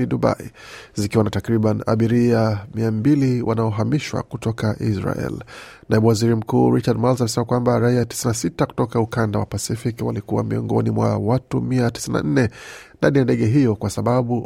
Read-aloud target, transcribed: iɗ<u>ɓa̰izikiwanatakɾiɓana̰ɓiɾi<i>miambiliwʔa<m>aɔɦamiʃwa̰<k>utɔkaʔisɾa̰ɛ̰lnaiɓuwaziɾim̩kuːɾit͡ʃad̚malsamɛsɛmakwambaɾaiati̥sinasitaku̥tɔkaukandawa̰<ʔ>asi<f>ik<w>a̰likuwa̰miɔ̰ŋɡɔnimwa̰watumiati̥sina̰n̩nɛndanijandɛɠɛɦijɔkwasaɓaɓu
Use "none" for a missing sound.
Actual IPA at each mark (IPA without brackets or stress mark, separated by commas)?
u, a, n, k, p, f, w